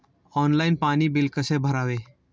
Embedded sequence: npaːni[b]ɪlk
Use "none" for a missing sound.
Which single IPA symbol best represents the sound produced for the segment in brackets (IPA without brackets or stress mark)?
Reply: b